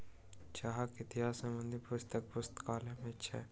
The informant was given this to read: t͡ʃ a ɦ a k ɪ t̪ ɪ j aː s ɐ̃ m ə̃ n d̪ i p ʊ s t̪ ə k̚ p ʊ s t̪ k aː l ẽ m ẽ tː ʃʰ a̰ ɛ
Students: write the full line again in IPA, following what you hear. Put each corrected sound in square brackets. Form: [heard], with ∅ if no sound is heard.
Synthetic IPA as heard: t͡ʃ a ɦ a k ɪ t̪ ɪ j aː s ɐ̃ m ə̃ n d̪ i p ʊ s t̪ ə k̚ p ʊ s t̪ k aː l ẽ m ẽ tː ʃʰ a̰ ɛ